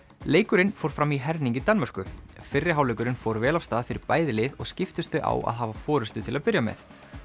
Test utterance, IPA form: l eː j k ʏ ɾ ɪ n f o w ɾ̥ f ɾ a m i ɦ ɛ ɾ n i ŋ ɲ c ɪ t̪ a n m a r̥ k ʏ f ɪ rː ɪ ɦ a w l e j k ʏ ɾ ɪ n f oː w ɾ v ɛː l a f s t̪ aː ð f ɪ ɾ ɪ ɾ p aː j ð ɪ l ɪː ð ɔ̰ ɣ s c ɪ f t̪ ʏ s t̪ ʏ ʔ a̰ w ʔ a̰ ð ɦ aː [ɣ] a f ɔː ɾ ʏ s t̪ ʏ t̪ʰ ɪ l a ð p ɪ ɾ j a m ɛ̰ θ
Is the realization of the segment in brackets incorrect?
yes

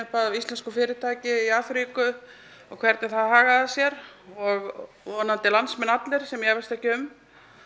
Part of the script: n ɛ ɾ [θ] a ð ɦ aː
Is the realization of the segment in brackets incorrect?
no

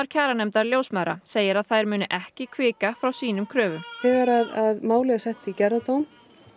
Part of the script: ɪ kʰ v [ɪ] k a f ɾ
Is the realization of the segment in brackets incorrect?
yes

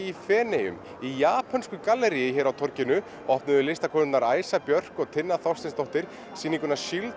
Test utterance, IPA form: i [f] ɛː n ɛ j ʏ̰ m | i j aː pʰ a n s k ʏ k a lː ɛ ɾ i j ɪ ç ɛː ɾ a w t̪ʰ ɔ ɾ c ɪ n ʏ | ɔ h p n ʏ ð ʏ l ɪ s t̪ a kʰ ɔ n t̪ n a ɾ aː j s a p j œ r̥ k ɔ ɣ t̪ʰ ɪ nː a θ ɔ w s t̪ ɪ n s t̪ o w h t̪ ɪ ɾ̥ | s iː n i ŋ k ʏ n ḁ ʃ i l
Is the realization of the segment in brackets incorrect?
no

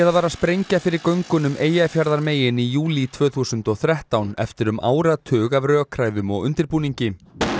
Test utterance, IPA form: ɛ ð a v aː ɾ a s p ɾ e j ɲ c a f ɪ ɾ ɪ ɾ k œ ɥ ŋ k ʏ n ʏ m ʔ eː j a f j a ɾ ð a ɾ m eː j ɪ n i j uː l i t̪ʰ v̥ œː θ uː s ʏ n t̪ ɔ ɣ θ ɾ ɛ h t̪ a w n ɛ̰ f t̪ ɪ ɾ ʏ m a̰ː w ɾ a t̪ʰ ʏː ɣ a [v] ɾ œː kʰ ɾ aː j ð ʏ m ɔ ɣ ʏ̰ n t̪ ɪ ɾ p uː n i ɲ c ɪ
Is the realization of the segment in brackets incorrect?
no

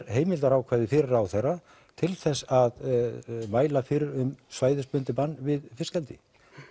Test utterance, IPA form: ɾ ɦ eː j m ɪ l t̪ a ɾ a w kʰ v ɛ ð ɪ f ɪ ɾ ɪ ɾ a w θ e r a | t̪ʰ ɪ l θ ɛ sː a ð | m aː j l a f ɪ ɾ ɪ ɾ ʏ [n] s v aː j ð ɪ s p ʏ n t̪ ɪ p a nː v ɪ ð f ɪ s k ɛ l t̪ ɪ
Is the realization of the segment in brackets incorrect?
yes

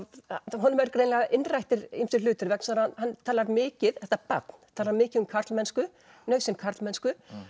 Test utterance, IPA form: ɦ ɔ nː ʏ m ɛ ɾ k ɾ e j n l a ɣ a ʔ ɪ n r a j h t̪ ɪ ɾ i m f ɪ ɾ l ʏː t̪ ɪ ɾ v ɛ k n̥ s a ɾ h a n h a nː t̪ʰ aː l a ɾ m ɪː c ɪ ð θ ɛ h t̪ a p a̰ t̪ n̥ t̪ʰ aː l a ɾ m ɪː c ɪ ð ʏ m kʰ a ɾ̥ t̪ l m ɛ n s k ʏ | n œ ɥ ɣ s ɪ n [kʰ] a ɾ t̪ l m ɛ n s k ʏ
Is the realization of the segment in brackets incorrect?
no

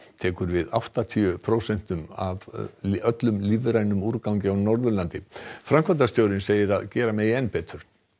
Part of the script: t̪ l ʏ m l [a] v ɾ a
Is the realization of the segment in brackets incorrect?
yes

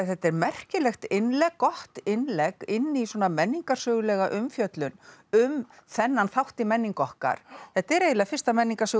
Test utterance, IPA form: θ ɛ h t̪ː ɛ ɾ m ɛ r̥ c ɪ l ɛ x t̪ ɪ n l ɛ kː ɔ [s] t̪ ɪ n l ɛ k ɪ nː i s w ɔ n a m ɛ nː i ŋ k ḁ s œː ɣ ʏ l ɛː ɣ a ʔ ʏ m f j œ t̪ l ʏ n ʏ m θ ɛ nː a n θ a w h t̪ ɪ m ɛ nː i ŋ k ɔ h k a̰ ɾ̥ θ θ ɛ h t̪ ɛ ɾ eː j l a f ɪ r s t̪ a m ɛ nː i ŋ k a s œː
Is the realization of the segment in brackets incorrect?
yes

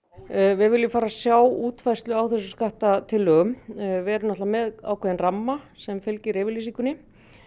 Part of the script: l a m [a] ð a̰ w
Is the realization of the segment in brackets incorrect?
yes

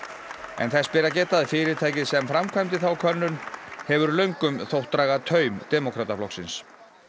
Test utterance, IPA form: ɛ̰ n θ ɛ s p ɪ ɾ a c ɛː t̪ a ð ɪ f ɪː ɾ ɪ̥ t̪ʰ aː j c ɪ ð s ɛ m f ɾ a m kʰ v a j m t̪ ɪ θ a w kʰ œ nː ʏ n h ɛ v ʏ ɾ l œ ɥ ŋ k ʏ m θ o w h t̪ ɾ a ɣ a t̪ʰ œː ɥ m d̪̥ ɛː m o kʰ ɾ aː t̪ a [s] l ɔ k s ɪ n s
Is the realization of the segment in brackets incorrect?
yes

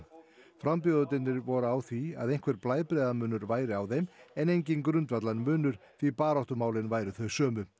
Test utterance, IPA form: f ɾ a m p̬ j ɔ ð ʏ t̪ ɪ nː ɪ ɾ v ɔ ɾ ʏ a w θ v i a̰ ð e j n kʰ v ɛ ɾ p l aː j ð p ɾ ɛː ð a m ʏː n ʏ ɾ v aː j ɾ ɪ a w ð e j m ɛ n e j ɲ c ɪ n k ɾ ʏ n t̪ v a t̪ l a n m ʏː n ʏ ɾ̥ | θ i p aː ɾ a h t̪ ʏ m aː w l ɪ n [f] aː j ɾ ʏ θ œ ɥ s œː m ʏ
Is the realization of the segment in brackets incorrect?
yes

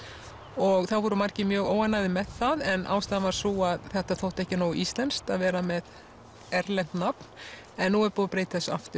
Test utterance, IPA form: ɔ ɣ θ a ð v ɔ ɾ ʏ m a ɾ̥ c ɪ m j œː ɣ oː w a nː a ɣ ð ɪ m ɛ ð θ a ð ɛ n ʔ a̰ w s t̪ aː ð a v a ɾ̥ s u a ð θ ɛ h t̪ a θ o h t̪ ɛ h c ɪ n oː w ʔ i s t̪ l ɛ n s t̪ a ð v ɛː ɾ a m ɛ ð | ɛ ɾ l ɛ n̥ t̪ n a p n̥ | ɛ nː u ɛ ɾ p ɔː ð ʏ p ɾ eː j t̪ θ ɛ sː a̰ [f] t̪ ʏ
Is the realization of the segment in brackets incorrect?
no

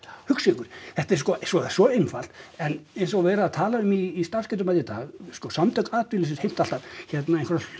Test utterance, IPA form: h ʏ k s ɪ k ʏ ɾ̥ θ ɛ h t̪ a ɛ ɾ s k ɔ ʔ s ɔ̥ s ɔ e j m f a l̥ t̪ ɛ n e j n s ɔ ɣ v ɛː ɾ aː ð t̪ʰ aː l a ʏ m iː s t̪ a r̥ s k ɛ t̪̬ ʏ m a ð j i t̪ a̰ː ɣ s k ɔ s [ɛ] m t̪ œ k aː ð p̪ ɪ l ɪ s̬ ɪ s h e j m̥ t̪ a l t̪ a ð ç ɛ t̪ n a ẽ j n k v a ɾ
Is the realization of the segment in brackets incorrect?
yes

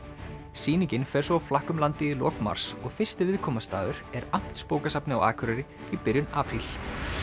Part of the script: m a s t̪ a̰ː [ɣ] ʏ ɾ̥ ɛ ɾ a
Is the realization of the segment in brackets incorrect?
yes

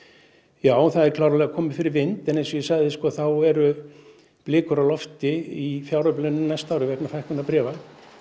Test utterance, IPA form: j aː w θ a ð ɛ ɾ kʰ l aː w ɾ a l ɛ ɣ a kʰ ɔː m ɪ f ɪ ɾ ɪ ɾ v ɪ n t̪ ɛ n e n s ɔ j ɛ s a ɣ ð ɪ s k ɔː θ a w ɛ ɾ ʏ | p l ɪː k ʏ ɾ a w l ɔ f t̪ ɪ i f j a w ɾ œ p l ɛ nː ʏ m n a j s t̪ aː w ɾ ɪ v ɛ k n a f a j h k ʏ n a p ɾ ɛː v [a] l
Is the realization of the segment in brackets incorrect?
no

